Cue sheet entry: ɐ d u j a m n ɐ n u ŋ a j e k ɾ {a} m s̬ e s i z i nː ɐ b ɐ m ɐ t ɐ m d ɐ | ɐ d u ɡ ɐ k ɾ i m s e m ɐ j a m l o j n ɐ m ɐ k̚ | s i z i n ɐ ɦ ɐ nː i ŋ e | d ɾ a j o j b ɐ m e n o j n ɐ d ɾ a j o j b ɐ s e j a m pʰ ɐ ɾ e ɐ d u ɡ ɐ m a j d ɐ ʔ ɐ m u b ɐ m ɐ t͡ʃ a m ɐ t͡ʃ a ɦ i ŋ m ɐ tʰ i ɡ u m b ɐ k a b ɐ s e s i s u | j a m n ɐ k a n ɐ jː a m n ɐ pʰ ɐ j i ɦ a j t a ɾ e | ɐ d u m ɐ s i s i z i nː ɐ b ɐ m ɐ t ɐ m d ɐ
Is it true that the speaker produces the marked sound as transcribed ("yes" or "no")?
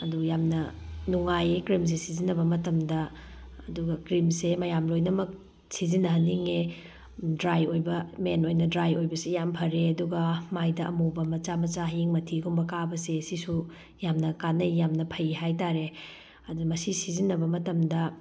no